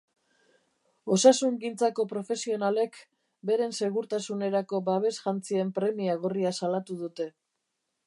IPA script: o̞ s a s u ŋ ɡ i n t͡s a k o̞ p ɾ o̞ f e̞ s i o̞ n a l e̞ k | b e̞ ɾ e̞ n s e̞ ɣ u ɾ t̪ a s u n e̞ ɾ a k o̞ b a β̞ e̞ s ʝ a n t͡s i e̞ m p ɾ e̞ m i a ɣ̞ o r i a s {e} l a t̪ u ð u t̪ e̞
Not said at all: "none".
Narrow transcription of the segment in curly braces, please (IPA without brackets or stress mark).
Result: a